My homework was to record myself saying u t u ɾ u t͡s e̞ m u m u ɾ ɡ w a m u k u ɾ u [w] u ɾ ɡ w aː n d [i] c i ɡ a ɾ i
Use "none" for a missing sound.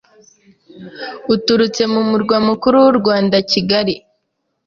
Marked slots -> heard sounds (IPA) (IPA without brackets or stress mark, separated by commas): w, a